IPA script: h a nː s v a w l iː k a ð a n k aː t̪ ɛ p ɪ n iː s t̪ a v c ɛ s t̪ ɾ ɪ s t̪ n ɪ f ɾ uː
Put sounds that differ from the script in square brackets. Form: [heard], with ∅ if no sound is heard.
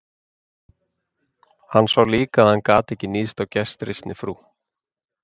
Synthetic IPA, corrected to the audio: h a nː s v a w l iː k a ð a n k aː t̪ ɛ [c] ɪ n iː s t̪ a [w] c ɛ s t̪ ɾ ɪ s t̪ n ɪ f ɾ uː